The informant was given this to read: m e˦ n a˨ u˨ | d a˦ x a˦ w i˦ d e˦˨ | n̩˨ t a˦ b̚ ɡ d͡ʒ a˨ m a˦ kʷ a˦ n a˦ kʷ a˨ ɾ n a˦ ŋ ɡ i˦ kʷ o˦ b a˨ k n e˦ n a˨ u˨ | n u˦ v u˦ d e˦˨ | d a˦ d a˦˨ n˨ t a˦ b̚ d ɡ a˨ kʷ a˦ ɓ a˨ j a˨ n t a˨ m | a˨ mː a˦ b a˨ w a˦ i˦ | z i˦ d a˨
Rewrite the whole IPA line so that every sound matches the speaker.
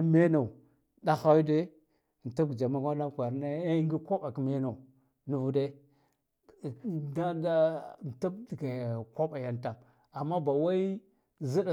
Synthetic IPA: m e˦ n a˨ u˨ | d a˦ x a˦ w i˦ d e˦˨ | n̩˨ t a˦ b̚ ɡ d͡ʒ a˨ m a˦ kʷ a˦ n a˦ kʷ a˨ ɾ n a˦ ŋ ɡ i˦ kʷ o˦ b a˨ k m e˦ n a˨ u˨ | n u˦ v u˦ d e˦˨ | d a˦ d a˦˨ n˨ t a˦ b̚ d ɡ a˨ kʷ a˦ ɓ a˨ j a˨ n t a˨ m | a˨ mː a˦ b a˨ w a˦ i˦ | z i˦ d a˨